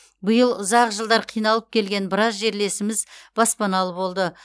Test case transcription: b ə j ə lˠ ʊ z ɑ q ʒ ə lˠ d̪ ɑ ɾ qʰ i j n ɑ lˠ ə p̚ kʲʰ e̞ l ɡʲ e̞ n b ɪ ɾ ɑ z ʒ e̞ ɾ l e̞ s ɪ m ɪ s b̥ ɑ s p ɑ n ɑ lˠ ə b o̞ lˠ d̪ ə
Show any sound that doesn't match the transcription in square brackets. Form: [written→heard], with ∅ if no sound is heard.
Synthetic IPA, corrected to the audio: b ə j ə lˠ ʊ z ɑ q ʒ ə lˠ d̪ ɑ ɾ qʰ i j n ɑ lˠ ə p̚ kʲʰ e̞ l ɡʲ e̞ n b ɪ ɾ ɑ z ʒ e̞ ɾ l e̞ s ɪ m ɪ [s→z] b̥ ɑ s p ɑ n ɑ lˠ ə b o̞ lˠ d̪ ə